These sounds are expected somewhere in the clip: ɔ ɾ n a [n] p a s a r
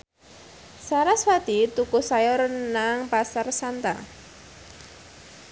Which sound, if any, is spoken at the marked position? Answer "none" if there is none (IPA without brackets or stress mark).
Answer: ŋ